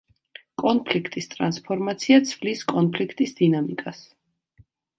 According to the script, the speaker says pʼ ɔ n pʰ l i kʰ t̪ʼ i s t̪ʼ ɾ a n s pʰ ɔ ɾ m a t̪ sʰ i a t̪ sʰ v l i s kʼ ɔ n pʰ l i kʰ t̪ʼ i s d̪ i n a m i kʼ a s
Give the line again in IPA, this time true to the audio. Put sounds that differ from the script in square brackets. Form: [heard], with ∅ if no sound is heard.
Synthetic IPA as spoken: [kʼ] ɔ n pʰ l i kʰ t̪ʼ i s t̪ʼ ɾ a n s pʰ ɔ ɾ m a t̪ sʰ i a t̪ sʰ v l i s kʼ ɔ n pʰ l i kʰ t̪ʼ i s d̪ i n a m i kʼ a s

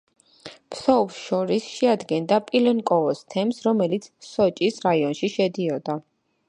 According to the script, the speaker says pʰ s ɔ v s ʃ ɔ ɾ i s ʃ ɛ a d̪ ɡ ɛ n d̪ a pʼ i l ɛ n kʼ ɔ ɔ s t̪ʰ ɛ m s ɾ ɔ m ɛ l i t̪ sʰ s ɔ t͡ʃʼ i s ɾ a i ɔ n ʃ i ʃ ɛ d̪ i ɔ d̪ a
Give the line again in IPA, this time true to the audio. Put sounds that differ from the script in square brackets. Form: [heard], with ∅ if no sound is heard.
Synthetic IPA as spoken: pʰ s ɔ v s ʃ ɔ ɾ i s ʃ ɛ a d̪ ɡ ɛ n d̪ a pʼ i l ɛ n kʼ ɔ ɔ s t̪ʰ ɛ m s ɾ ɔ m ɛ l i t̪ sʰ s ɔ t͡ʃʼ i s ɾ a i ɔ n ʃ i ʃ ɛ d̪ i ɔ d̪ a

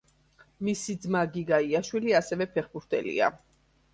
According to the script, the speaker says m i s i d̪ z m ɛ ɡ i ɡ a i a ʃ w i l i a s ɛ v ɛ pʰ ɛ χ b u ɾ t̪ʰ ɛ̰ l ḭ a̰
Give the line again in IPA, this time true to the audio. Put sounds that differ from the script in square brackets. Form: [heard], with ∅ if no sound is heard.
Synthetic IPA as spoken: m i s i d̪ z m [a] ɡ i ɡ a i a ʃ w i l i a s ɛ v ɛ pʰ ɛ χ b u ɾ t̪ʰ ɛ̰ l ḭ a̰

